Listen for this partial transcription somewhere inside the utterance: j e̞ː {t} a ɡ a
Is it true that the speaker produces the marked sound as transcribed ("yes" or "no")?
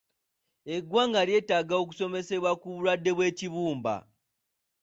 yes